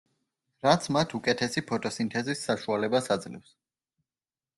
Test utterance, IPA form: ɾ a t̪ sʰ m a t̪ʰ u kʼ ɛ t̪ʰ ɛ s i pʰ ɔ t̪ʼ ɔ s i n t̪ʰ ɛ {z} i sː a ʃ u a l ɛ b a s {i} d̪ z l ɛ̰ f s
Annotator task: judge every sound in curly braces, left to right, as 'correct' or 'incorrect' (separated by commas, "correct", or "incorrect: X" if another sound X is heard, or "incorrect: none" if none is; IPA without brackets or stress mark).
correct, incorrect: a